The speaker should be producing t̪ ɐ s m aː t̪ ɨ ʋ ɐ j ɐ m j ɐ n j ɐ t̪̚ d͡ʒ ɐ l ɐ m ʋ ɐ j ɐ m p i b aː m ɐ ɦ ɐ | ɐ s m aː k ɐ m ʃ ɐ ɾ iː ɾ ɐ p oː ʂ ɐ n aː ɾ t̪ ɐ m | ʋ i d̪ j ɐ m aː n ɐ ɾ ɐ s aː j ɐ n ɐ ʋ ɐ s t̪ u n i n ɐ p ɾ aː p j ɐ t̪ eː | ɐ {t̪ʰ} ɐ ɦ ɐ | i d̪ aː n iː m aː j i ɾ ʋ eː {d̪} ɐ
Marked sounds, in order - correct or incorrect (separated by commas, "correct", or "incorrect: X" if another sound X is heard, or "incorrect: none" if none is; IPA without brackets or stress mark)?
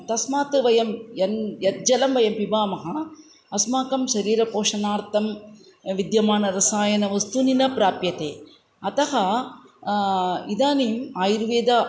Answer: incorrect: t̪, correct